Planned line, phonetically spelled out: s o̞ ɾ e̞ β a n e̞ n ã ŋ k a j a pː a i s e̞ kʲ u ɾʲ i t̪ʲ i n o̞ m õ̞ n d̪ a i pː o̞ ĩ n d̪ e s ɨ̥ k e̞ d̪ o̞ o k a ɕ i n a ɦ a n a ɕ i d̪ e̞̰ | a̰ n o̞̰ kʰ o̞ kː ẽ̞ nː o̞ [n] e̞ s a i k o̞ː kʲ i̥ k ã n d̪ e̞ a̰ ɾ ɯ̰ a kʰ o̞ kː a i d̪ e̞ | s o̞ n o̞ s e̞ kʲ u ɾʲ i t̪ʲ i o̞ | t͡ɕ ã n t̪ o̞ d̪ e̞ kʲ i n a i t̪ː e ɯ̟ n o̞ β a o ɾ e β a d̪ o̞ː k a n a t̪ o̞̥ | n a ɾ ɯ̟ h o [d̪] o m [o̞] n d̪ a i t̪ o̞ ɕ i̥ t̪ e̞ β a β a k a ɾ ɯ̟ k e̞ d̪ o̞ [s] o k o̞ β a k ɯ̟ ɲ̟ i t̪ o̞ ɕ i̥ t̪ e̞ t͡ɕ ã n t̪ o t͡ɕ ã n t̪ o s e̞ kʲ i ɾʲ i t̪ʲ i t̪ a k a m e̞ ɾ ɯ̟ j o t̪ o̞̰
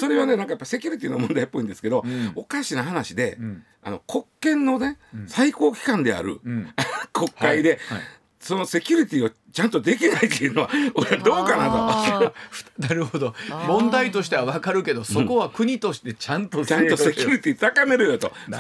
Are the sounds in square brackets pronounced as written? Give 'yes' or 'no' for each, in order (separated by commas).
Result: yes, yes, no, yes